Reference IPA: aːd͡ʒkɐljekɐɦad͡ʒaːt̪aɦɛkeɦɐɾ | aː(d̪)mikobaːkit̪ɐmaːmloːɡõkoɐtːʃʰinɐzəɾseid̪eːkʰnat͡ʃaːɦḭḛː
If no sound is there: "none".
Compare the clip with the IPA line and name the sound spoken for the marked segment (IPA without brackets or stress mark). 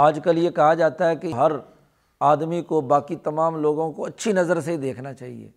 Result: d̪